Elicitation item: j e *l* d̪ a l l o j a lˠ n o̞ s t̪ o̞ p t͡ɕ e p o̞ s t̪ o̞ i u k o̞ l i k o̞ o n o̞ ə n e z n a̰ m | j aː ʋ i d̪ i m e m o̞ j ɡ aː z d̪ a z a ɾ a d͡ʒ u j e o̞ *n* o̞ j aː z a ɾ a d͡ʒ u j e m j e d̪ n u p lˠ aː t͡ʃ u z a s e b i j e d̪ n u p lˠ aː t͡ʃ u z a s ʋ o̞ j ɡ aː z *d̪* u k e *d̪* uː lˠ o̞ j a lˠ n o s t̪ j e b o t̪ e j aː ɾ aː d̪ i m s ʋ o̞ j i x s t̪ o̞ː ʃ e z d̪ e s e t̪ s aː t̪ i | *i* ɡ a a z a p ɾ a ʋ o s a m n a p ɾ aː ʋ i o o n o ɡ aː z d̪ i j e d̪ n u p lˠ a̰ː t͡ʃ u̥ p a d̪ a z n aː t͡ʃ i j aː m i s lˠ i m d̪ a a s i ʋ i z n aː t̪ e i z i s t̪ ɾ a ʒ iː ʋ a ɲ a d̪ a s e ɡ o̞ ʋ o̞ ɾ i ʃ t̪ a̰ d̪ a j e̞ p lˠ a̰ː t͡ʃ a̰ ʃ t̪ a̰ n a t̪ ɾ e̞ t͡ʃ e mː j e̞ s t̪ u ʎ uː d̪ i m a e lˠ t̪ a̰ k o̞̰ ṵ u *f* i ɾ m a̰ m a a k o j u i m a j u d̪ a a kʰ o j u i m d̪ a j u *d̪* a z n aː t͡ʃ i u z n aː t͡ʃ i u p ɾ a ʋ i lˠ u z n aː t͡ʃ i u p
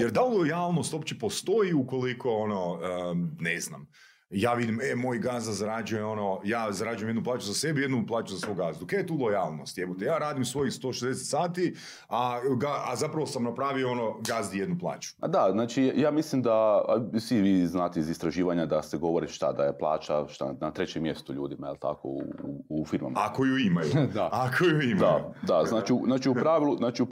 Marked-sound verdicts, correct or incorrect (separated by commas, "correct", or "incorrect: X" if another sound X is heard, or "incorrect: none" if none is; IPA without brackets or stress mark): incorrect: ɾ, correct, correct, incorrect: t̪, incorrect: a, correct, correct